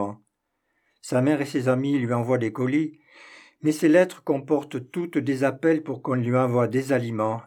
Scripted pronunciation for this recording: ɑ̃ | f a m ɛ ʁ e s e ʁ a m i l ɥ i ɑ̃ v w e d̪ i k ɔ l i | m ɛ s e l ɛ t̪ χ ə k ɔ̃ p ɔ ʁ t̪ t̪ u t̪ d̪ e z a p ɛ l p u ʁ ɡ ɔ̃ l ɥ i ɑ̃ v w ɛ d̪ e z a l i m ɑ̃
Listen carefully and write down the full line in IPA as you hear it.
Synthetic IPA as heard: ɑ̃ | s a m ɛ ʁ e s e z a m i l ɥ i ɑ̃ v w a d̪ e k ɔ l i | m ɛ s e l ɛ t̪ χ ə k ɔ̃ p ɔ ʁ t̪ t̪ u t̪ d̪ e z a p ɛ l p u ʁ k ɔ̃ l ɥ i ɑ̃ v w a d̪ e z a l i m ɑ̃